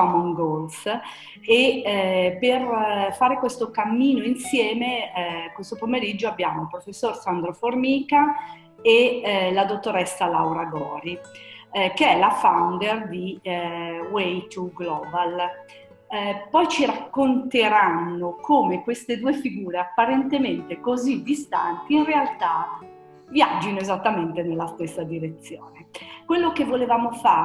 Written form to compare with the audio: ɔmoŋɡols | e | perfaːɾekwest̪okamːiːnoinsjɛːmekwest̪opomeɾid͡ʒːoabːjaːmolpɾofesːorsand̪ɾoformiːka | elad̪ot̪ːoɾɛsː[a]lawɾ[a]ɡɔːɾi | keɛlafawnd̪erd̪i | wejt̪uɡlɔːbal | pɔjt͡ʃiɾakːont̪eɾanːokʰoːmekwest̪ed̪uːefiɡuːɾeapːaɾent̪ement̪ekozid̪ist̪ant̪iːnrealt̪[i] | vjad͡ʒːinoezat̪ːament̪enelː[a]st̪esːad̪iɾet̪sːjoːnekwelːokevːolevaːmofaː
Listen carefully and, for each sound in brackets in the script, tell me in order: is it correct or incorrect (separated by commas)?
correct, correct, incorrect, correct